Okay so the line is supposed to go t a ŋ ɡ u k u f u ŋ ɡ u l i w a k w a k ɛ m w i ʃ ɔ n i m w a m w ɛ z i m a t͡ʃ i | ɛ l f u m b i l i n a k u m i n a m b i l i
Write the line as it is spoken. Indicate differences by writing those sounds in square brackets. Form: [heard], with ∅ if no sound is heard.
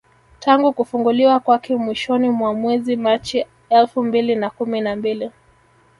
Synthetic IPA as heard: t a ŋ ɡ u k u f u ŋ ɡ u l i w a k w a k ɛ m w i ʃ ɔ n i m w a m w ɛ z i m a t͡ʃ i | ɛ l f u m b i l i n a k u m i n a m b i l i